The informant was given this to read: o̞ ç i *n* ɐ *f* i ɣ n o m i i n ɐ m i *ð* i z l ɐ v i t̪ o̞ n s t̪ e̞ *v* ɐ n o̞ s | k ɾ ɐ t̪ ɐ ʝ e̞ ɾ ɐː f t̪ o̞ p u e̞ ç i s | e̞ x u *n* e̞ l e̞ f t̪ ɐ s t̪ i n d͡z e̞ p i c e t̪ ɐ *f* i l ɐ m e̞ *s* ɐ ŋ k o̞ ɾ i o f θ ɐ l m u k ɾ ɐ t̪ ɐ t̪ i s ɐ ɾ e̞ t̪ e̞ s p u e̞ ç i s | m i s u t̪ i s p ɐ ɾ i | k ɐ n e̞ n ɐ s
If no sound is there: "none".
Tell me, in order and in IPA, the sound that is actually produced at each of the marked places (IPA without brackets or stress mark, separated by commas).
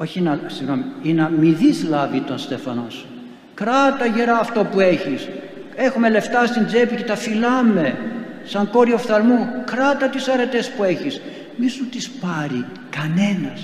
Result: n, s, ð, f, m, f, s